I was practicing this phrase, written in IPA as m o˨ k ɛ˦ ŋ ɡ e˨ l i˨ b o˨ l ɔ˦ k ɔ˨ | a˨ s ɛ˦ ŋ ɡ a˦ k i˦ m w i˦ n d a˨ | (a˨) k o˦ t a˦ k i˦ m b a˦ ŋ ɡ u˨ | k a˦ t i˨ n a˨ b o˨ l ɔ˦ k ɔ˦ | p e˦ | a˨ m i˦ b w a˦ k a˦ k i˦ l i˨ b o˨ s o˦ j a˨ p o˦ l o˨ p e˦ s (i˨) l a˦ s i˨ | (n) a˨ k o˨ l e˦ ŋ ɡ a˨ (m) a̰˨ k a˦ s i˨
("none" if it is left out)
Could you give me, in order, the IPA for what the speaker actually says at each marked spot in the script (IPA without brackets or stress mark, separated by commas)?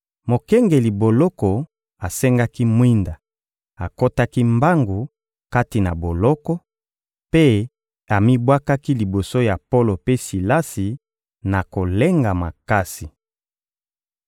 a˨, i˨, n, m